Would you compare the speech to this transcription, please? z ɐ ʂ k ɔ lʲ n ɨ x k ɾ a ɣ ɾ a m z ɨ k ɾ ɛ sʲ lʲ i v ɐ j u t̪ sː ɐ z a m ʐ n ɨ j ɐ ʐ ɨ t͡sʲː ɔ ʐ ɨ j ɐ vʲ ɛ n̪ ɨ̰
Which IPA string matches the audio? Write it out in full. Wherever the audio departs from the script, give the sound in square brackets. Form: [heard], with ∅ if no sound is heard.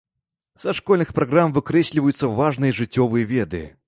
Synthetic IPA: z ɐ ʂ k ɔ lʲ n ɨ x [p] ɾ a ɣ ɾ a m [v] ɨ k ɾ ɛ sʲ lʲ i v ɐ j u t̪ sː ɐ [v] a [∅] ʐ n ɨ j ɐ ʐ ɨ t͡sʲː ɔ [v] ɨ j ɐ vʲ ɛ [d̪] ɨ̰

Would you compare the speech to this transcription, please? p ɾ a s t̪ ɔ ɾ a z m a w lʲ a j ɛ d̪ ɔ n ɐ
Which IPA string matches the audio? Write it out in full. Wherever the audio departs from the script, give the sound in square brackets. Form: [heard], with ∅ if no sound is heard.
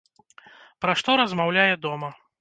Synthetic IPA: p ɾ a [ʂ] t̪ ɔ ɾ [ɐ] z m a w lʲ a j ɛ d̪ ɔ [m] ɐ

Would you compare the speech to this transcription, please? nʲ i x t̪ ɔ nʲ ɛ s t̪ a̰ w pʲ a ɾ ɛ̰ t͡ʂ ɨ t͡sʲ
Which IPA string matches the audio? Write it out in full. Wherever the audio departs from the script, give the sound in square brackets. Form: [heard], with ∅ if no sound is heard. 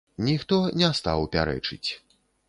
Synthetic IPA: nʲ i x t̪ ɔ nʲ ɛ s t̪ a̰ w pʲ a ɾ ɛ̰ t͡ʂ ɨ t͡sʲ

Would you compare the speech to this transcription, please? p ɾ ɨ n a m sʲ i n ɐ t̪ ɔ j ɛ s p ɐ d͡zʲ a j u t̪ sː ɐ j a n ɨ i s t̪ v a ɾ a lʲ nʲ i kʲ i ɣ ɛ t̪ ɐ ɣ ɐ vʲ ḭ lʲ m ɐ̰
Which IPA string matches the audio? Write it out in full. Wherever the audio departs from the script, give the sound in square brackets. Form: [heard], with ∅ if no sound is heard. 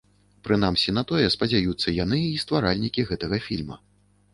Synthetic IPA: p ɾ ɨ n a m sʲ i n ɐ t̪ ɔ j ɛ s p ɐ d͡zʲ a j u t̪ sː ɐ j a n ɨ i s t̪ v a ɾ a lʲ nʲ i kʲ i ɣ ɛ t̪ ɐ ɣ ɐ [fʲ] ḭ lʲ m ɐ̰

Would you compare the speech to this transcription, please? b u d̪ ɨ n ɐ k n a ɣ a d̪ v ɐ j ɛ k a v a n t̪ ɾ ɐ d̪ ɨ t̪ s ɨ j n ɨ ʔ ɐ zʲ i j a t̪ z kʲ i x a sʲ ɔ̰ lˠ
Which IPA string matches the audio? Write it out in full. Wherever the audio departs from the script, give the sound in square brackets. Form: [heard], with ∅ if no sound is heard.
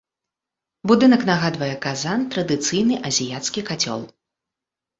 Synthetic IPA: b u d̪ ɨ n ɐ k n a ɣ a d̪ v ɐ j ɛ k a [z] a n t̪ ɾ ɐ d̪ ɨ t̪ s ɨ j n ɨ ʔ ɐ zʲ i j a t̪ [s] kʲ i [k] a [t͡sʲ] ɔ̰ lˠ

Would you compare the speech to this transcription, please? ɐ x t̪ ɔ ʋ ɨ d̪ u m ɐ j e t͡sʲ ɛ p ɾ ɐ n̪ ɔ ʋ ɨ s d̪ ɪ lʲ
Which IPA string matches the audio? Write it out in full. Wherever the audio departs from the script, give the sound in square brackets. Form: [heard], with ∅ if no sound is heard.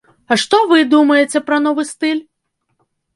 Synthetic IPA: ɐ [ʂ] t̪ ɔ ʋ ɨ d̪ u m ɐ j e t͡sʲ ɛ p ɾ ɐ n̪ ɔ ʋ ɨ s [t̪] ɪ lʲ

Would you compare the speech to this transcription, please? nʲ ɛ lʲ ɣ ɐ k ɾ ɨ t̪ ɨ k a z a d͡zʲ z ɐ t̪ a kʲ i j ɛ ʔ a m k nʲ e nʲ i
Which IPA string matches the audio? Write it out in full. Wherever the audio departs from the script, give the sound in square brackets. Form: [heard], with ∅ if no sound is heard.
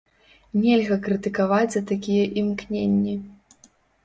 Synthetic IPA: nʲ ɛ lʲ ɣ ɐ k ɾ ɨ t̪ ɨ k a [v] a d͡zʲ z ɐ t̪ a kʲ i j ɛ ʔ [i] m k nʲ e [nʲː] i

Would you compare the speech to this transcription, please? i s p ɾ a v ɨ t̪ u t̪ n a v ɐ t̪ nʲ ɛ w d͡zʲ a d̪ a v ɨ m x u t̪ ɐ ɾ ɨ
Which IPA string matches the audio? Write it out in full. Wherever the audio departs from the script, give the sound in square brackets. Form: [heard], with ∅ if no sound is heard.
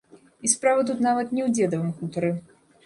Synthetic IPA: i s p ɾ a v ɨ t̪ u t̪ n a v ɐ t̪ nʲ ɛ w d͡zʲ [ɛ] d̪ [ɐ] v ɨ m [k] u t̪ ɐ ɾ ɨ

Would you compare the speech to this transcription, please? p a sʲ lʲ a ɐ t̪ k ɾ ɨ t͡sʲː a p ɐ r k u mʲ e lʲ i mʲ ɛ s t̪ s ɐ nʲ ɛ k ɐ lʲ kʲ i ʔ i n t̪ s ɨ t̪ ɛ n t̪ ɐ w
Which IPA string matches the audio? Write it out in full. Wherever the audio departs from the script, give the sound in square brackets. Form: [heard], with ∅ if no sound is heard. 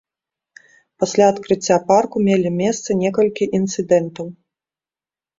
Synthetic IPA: p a sʲ lʲ a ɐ t̪ k ɾ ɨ t͡sʲː a p [a] r k u mʲ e lʲ i mʲ ɛ s t̪ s ɐ nʲ ɛ k ɐ lʲ kʲ i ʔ i n t̪ s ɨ [d̪] ɛ n t̪ ɐ w

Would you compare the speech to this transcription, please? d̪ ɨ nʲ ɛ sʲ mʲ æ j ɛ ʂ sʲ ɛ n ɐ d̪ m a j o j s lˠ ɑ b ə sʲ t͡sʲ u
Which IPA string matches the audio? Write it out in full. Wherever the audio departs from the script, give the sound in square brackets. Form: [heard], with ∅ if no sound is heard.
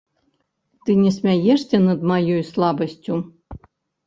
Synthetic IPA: [t̪] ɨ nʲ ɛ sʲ mʲ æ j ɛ ʂ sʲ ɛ n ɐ d̪ m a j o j s lˠ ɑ b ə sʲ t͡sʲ u

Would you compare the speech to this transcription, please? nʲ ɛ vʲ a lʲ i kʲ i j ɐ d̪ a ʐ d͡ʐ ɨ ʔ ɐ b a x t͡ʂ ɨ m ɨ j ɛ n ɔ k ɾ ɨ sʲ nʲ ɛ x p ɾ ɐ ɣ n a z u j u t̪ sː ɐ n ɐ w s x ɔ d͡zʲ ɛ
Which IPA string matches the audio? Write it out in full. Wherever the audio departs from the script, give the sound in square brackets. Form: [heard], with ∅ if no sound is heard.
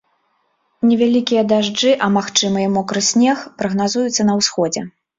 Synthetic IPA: nʲ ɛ vʲ a lʲ i kʲ i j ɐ d̪ a ʐ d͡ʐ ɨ ʔ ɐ [m] a x t͡ʂ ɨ m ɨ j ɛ [m] ɔ k ɾ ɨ sʲ nʲ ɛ x p ɾ ɐ ɣ n a z u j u t̪ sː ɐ n ɐ w s x ɔ d͡zʲ ɛ

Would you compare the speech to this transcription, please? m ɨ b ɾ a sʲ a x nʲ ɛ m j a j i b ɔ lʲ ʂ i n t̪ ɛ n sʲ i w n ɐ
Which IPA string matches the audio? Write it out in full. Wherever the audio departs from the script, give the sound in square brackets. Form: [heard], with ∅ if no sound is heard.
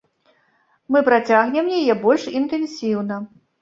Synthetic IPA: m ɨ [p] ɾ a [t͡sʲ] a [ɣ] nʲ ɛ m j a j [ɛ] b ɔ lʲ ʂ i n t̪ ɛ n sʲ i w n ɐ

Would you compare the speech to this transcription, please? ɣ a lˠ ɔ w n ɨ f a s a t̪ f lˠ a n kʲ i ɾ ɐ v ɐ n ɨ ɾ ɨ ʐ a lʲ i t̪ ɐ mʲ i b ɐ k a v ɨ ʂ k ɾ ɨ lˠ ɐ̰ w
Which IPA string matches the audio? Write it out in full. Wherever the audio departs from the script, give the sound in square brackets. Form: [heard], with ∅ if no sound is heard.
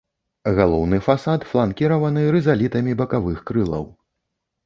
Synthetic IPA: ɣ a lˠ ɔ w n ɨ f a s a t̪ f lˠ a n kʲ i ɾ ɐ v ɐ n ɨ ɾ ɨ [z] a lʲ i t̪ ɐ mʲ i b ɐ k a v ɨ [x] k ɾ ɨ lˠ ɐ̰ w

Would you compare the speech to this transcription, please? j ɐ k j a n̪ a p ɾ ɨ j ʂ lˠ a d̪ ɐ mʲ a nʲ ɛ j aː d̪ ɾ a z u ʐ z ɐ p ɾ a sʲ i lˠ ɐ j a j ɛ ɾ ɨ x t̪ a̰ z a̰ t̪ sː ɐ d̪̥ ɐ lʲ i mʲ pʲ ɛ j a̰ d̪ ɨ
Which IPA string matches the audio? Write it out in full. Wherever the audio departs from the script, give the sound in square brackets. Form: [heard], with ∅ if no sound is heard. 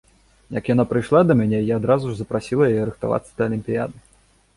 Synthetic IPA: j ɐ k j a n̪ a p ɾ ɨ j ʂ lˠ a d̪ ɐ mʲ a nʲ ɛ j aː d̪ ɾ a z u ʐ z ɐ p ɾ a sʲ i lˠ ɐ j a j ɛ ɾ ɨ x t̪ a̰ [v] a̰ t̪ sː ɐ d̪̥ ɐ lʲ i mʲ pʲ [i] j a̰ d̪ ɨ

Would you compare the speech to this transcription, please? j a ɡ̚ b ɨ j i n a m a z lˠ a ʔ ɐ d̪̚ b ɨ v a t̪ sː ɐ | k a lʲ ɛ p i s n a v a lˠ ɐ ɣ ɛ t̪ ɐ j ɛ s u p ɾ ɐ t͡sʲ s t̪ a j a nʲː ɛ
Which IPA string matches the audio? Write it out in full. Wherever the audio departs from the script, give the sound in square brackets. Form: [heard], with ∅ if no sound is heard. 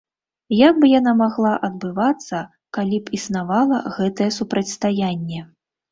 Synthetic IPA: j a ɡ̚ b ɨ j [a] n a m a [ɣ] lˠ a ʔ ɐ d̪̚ b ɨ v a t̪ sː ɐ | k a lʲ [i] p i s n a v a lˠ ɐ ɣ ɛ t̪ ɐ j ɛ s u p ɾ ɐ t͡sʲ s t̪ a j a nʲː ɛ

